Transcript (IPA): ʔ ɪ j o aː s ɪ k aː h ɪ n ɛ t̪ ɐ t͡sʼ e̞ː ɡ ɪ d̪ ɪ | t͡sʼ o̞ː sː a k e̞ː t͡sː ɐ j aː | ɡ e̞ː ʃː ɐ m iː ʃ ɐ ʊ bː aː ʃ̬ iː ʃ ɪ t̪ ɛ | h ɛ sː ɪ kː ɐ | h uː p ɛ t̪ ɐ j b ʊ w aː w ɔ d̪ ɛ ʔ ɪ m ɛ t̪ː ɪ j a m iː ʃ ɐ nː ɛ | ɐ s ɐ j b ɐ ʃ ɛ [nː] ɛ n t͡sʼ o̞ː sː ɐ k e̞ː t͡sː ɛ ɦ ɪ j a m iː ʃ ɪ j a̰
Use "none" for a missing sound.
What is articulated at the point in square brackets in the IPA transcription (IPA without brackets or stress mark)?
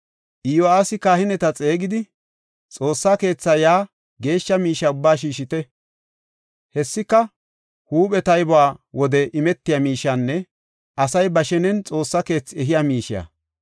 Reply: n